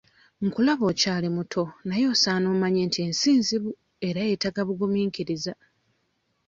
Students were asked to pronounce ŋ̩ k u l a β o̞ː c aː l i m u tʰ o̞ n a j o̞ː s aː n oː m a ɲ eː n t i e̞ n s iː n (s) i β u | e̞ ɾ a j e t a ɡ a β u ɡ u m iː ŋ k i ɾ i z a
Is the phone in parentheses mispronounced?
yes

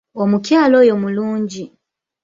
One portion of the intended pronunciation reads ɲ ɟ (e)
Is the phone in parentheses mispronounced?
yes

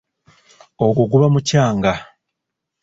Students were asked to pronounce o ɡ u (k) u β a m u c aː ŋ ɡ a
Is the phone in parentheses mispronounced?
yes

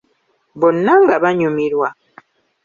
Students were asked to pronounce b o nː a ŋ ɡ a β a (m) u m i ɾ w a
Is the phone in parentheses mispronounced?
yes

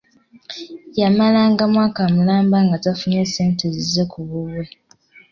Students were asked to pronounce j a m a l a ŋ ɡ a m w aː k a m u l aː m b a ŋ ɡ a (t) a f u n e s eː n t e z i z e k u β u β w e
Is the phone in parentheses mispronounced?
no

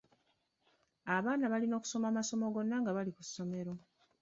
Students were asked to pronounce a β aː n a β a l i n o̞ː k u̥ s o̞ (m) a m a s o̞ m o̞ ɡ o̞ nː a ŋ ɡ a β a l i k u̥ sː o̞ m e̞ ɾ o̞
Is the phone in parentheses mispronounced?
no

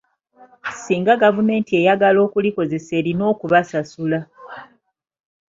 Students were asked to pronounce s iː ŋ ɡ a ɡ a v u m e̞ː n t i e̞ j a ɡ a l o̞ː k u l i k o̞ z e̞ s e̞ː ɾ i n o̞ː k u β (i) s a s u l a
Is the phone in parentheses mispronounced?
yes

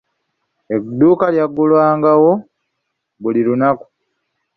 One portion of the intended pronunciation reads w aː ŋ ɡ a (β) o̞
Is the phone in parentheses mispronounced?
yes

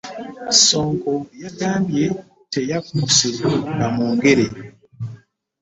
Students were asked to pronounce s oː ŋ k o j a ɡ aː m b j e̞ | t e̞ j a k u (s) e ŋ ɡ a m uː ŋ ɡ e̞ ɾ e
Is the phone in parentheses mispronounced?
no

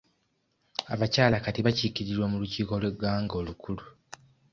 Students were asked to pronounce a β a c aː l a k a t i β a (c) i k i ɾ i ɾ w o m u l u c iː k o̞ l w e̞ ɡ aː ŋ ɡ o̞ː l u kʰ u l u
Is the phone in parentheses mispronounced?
no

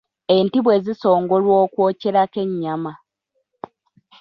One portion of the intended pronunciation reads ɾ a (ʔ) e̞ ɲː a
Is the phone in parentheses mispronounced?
yes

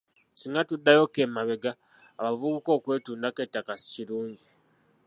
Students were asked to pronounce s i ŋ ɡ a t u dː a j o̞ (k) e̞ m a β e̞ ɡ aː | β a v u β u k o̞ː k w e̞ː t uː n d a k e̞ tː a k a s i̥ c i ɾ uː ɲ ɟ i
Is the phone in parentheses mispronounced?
no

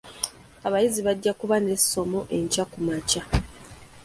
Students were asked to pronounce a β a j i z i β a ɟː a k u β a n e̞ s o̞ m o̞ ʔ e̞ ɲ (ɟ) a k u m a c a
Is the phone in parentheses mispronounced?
yes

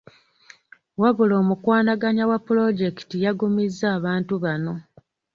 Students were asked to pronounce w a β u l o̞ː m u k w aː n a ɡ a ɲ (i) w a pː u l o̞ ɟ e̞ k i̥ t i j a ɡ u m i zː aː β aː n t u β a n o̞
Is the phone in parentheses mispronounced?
yes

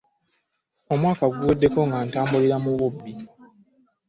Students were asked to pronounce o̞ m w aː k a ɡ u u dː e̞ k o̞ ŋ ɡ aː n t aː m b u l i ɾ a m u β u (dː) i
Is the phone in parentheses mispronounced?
yes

